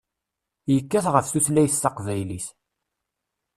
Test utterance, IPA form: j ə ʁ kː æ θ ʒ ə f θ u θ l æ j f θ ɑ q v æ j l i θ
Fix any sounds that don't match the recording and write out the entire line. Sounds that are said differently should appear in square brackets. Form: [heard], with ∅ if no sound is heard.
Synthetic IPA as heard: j ə [∅] kː æ θ [ʁ] ə f θ u θ l æ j [θ] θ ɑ q v æ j l i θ